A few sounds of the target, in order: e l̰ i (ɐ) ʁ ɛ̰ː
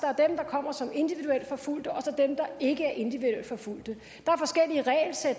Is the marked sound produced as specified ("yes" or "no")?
no